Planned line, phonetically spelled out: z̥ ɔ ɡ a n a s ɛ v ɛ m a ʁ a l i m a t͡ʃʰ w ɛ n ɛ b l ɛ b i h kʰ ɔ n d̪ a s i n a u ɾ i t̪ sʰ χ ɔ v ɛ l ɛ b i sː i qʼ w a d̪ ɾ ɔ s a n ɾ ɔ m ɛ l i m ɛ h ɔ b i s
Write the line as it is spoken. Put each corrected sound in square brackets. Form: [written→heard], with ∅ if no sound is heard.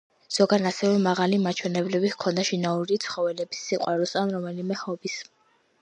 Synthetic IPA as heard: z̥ ɔ ɡ a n a s ɛ v ɛ m a ʁ a l i m a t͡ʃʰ w ɛ n ɛ b l ɛ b i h kʰ ɔ n d̪ a [s→ʃ] i n a u ɾ i t̪ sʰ χ ɔ v ɛ l ɛ b i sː i qʼ w a [d̪→∅] ɾ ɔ s a n ɾ ɔ m ɛ l i m ɛ h ɔ b i s